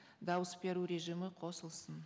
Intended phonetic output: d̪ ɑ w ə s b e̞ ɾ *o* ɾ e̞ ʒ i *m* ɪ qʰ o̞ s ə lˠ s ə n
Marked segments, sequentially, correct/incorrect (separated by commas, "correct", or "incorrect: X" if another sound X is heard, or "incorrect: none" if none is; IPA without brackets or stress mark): incorrect: u, correct